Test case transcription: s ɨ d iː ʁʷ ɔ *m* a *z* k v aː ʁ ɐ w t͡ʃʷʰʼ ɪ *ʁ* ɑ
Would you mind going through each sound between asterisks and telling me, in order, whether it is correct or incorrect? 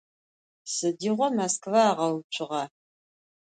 correct, incorrect, correct

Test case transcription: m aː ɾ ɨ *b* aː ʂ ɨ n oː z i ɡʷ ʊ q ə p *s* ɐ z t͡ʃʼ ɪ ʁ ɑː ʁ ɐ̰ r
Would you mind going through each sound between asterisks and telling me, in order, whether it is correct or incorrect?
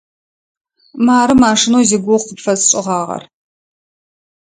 incorrect, incorrect

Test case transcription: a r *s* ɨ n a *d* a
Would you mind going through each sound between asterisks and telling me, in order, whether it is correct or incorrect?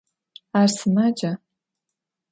correct, incorrect

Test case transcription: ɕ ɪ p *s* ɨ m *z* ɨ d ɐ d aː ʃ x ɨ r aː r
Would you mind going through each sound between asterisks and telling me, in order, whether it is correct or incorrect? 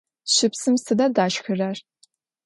correct, incorrect

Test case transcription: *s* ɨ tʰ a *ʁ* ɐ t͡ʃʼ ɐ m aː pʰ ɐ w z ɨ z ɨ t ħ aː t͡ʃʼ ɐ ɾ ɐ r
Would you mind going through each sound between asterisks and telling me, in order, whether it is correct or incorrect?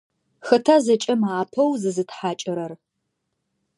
incorrect, incorrect

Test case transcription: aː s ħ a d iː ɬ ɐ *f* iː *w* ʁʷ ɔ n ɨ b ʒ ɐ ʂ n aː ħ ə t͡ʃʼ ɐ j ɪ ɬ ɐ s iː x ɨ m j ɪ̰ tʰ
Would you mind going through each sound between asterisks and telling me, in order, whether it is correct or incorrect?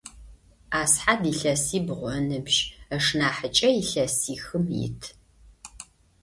incorrect, incorrect

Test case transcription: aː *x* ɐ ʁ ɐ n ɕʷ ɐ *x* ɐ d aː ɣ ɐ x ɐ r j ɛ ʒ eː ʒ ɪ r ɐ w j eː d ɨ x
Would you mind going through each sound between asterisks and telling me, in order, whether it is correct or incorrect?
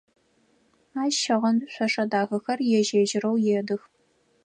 incorrect, incorrect

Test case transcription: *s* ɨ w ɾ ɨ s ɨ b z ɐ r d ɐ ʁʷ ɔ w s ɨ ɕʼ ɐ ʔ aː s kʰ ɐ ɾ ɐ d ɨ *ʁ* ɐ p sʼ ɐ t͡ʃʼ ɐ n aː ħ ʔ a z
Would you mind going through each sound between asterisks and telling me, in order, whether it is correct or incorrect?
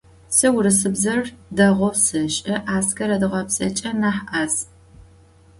correct, correct

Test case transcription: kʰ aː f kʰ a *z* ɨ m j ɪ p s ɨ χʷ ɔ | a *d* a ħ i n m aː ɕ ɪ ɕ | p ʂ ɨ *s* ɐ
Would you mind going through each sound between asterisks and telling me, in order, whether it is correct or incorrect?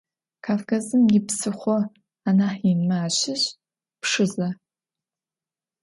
correct, incorrect, incorrect

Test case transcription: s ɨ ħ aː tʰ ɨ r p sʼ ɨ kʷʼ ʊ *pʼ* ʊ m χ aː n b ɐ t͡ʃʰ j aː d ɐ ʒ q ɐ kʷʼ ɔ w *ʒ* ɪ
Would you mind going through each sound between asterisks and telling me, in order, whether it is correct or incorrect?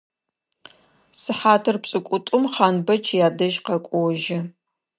incorrect, correct

